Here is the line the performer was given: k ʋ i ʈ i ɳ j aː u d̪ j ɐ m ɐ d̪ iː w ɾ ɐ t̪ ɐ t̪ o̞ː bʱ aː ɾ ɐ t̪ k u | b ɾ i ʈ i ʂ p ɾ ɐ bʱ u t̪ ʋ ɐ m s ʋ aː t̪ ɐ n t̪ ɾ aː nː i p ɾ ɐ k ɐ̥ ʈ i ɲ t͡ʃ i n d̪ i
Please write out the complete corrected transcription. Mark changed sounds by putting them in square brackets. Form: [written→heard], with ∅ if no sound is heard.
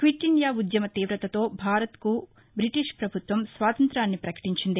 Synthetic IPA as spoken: k ʋ i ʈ i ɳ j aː u d̪ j ɐ m ɐ [d̪→t̪] iː [w→ʋ] ɾ ɐ t̪ ɐ t̪ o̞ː bʱ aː ɾ ɐ t̪ k u | b ɾ i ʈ i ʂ p ɾ ɐ bʱ u t̪ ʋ ɐ m s ʋ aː t̪ ɐ n t̪ ɾ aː nː i p ɾ ɐ k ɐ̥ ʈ i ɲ t͡ʃ i n d̪ i